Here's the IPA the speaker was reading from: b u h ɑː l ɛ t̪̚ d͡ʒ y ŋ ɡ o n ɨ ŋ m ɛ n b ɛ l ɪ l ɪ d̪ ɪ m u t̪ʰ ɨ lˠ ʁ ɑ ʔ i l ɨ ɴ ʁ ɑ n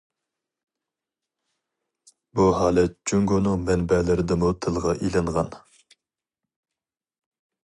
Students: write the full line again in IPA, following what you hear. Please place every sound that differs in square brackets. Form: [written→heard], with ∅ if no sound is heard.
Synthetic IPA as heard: b u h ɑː l ɛ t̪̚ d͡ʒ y ŋ ɡ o n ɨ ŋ m ɛ n b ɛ l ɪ [l→ɾ] ɪ d̪ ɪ m u t̪ʰ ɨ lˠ ʁ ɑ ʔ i l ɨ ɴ ʁ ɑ n